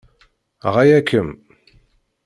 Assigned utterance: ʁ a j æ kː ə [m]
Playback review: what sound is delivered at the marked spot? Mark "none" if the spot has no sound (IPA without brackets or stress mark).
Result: m